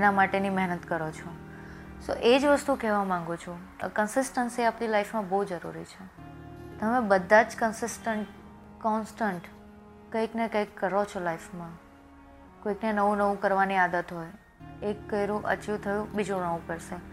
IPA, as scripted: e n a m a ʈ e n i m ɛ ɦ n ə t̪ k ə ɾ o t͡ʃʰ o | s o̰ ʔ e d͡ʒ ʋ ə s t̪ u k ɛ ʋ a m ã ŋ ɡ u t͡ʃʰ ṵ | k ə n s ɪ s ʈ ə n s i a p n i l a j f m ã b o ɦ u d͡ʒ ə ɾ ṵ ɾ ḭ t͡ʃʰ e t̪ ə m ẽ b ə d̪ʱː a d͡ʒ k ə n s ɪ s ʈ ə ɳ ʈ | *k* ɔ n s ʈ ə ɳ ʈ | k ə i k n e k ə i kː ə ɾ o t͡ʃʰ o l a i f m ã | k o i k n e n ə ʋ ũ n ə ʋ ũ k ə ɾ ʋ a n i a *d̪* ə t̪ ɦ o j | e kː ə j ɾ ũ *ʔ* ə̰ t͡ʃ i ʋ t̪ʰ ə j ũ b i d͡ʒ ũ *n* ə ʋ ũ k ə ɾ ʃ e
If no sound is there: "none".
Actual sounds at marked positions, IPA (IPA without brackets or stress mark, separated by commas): k, d̪, ʔ, n